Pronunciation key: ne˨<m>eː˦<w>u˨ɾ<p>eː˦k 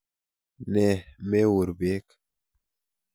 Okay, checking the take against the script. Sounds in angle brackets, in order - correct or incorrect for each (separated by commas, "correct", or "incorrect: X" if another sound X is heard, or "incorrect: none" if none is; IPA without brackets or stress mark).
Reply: correct, correct, incorrect: b